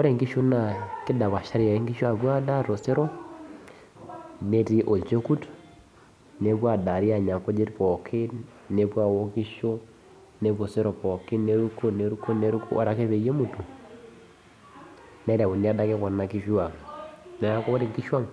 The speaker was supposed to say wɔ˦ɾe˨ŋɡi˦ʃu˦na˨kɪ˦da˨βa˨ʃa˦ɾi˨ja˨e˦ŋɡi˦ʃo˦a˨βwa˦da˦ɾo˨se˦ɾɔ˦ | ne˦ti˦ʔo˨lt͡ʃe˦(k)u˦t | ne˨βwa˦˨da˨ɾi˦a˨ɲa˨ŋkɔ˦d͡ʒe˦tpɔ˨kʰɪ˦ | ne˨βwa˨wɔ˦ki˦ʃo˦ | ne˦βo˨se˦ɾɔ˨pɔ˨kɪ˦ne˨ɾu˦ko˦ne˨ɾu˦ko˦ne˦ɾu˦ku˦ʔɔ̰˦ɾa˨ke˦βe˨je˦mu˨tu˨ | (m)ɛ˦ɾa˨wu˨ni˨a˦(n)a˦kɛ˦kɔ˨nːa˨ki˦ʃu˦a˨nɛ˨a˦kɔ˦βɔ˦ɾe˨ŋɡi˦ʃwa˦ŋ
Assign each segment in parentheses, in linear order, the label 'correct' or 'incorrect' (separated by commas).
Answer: correct, incorrect, incorrect